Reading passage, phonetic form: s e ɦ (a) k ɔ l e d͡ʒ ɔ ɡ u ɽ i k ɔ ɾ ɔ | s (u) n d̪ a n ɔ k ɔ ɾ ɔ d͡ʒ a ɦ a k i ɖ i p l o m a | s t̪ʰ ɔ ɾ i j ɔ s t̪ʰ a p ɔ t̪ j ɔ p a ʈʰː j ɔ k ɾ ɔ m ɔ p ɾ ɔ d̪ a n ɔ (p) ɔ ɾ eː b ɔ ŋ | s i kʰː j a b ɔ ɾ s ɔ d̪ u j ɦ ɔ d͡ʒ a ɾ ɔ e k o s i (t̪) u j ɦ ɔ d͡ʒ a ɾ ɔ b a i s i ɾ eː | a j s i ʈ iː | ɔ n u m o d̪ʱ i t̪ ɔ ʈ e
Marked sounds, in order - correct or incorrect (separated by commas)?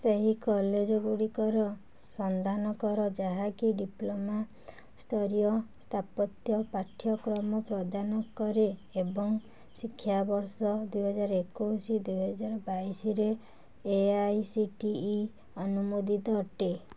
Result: incorrect, incorrect, incorrect, incorrect